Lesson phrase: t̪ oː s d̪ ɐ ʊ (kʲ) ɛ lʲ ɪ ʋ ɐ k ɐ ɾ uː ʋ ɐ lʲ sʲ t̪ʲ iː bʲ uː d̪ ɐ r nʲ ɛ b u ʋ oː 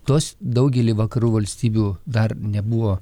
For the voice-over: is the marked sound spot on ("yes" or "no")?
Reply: no